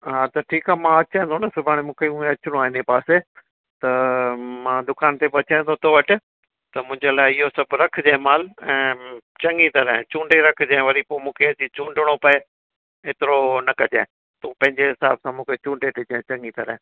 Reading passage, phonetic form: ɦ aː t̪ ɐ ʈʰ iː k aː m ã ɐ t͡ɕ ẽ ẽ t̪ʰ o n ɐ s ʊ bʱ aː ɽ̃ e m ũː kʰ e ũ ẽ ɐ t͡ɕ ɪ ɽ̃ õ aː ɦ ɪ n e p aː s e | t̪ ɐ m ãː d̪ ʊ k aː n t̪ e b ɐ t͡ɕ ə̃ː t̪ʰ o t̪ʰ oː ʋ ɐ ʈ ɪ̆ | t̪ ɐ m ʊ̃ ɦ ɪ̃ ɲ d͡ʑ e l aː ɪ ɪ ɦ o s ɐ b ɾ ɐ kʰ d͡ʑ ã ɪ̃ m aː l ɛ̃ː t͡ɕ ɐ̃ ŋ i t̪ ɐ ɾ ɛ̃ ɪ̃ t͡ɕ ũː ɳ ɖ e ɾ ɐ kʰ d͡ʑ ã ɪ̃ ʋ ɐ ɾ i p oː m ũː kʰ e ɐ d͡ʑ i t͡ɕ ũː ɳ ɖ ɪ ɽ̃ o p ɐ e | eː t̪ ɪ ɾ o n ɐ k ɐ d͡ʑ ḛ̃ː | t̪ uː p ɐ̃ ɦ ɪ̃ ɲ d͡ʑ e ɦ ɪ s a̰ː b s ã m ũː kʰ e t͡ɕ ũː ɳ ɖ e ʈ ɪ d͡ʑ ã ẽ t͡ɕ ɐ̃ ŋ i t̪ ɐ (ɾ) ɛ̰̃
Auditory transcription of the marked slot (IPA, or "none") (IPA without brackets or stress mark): ɾ